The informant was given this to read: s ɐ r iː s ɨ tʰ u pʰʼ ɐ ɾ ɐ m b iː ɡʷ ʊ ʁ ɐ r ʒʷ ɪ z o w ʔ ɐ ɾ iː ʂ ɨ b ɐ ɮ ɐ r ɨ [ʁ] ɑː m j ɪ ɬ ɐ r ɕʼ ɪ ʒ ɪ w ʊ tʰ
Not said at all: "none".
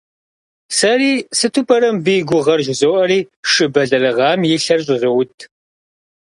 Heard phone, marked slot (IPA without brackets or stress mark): ʁ